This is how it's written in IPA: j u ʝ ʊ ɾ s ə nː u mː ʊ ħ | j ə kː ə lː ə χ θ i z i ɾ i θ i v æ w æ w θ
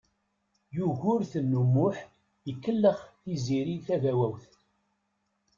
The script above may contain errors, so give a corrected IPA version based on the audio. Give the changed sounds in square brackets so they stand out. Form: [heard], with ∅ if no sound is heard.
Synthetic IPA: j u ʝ ʊ ɾ [θ] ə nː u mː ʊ ħ | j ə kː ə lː ə χ θ i z i ɾ i θ [æ] v æ w æ w θ